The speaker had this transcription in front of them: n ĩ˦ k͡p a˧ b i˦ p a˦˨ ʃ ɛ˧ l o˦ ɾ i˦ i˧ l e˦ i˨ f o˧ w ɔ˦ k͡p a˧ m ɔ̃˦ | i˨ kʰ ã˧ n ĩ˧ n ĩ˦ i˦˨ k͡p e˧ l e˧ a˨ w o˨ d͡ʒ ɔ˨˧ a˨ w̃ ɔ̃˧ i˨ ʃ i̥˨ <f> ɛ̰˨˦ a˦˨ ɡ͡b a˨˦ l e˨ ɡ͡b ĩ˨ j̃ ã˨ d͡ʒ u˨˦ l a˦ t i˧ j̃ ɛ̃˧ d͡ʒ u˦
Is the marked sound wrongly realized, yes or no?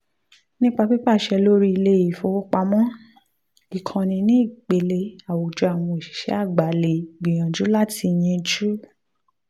yes